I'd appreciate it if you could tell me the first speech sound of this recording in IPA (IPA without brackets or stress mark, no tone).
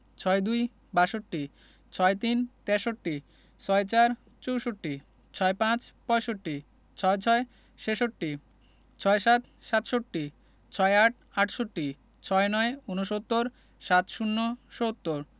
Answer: t͡ɕʰ